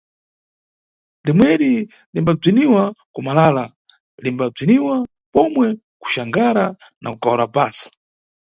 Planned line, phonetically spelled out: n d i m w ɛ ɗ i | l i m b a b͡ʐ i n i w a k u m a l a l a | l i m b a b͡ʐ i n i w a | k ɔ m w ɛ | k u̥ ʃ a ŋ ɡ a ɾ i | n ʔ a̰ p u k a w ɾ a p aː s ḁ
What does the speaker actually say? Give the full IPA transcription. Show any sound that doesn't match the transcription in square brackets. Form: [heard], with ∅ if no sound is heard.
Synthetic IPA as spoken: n d i m w ɛ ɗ i | l i m b a b͡ʐ i n i w a k u m a l a l a | l i m b a b͡ʐ i n i w a | [p] ɔ m w ɛ | k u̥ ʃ a ŋ ɡ a ɾ [a] | n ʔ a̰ [k] u k a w ɾ a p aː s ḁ